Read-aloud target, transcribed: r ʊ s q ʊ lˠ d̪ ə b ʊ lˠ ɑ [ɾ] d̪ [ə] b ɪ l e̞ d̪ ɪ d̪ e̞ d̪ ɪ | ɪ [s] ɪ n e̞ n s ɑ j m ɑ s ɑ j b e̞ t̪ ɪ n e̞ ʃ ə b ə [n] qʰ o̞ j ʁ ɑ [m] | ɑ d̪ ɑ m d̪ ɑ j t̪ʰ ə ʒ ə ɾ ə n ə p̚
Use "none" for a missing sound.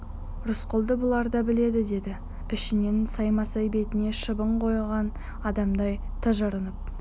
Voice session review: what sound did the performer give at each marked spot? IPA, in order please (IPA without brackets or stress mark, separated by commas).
ɾ, ɑ, ʃ, ɴ, n